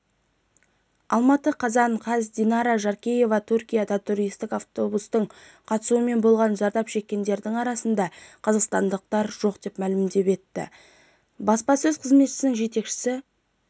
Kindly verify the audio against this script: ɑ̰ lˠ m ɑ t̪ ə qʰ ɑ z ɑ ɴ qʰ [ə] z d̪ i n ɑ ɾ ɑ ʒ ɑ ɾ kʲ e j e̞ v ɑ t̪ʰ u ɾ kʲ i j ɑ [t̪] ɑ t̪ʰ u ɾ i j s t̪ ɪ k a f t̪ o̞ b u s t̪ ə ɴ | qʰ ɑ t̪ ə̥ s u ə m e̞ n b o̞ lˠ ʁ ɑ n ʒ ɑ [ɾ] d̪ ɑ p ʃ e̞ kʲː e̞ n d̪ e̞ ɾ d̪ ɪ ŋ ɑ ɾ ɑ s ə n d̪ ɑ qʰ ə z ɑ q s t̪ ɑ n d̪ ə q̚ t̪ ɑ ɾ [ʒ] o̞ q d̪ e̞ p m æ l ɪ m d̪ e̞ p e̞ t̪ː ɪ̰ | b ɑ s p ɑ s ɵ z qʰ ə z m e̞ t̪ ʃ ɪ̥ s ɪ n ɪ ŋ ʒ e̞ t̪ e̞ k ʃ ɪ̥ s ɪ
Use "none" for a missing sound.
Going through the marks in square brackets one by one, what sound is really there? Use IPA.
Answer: ɑ, d̪, ɾ, ʒ

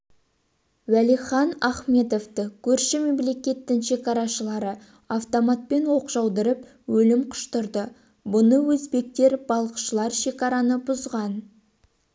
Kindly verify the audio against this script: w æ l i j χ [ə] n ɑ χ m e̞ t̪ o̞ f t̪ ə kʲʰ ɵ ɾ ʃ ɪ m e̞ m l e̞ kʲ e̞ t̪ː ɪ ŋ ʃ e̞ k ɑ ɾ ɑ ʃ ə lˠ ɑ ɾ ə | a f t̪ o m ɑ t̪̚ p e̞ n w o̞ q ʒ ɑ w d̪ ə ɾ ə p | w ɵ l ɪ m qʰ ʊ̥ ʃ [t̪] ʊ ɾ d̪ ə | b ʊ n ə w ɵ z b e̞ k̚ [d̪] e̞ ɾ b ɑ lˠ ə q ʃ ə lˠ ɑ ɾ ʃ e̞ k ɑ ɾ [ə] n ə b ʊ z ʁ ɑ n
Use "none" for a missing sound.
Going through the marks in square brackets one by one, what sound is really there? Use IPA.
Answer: ɑ, t̪, t̪, ɑ

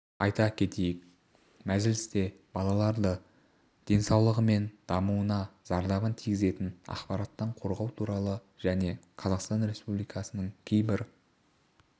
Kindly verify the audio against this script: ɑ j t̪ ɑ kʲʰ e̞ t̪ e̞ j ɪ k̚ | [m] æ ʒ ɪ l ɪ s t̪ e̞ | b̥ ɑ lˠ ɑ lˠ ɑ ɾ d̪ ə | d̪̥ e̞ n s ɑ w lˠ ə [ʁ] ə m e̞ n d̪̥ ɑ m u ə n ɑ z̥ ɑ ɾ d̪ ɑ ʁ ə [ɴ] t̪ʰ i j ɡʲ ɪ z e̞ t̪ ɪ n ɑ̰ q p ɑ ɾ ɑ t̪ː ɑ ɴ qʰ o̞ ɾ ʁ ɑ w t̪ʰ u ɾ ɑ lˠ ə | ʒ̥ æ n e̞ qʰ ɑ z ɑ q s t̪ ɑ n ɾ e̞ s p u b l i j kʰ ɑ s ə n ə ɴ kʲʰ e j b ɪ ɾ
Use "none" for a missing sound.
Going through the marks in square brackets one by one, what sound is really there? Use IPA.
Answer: m, ʁ, n

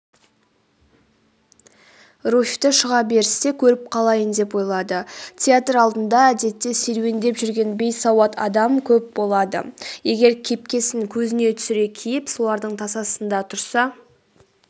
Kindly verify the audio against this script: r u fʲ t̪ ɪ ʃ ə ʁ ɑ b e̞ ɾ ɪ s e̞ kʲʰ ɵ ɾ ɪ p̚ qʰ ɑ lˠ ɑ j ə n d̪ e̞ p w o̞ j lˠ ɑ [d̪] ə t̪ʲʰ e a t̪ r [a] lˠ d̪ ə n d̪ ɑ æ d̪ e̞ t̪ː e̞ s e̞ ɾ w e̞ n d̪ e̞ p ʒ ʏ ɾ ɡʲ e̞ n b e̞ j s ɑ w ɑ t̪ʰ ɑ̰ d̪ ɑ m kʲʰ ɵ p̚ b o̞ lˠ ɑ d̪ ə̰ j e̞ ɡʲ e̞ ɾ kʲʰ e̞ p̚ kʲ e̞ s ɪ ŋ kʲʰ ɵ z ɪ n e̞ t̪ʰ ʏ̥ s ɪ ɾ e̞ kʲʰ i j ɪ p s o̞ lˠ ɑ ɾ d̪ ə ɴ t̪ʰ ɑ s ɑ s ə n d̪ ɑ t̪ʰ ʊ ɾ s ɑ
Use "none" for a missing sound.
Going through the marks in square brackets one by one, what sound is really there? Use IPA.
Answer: d̪, ɑ

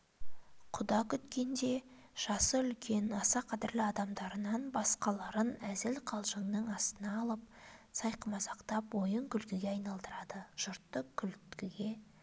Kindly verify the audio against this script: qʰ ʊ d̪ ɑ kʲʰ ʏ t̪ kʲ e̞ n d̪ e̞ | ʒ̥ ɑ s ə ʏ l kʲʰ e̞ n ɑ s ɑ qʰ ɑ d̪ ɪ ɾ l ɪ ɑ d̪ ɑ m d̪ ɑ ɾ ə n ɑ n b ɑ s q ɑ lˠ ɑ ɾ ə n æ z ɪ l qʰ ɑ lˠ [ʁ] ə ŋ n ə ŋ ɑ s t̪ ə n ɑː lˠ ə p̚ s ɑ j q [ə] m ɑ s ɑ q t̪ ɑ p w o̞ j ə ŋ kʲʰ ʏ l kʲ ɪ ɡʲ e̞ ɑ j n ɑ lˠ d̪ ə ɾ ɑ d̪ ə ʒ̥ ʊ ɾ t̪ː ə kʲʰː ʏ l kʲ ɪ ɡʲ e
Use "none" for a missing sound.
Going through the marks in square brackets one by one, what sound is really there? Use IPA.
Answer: ʒ, ə

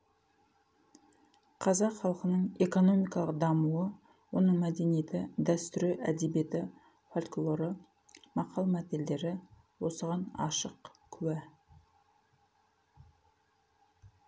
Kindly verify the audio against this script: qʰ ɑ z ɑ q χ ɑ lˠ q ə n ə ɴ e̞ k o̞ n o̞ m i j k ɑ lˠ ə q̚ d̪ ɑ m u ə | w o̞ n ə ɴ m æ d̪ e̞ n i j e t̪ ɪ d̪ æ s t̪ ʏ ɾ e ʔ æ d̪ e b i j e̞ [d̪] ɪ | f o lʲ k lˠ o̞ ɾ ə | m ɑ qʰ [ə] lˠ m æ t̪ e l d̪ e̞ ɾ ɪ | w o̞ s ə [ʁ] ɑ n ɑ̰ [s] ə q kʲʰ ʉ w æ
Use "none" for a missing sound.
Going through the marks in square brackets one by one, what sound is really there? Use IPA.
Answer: t̪, ɑ, ʁ, ʃ

